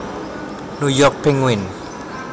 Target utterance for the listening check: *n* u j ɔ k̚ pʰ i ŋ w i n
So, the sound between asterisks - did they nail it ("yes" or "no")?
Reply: yes